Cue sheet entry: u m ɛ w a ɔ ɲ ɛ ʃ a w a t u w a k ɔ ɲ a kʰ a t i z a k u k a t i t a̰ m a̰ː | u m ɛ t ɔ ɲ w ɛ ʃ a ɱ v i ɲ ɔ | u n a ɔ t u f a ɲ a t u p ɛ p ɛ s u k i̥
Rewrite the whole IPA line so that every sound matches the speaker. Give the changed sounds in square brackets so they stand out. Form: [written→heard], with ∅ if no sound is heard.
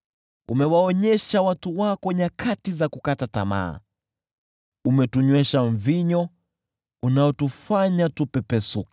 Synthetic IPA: u m ɛ w a ɔ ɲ ɛ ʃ a w a t u w a k ɔ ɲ a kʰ a t i z a k u k a t [i→a] t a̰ m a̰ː | u m ɛ t [ɔ→u] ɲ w ɛ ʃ a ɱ v i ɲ ɔ | u n a ɔ t u f a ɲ a t u p ɛ p ɛ s u k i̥